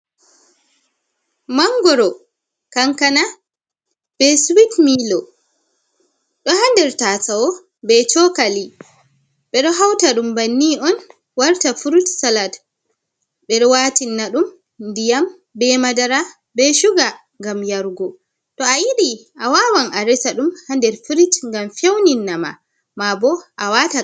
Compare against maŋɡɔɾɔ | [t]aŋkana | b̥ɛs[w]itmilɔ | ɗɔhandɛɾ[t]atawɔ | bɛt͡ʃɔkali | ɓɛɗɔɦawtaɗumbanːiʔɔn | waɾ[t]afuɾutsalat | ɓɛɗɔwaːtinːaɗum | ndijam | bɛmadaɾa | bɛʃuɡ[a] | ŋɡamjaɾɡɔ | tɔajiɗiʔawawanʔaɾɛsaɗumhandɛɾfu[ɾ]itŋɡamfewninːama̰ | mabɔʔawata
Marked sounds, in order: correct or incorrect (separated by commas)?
incorrect, correct, correct, correct, correct, correct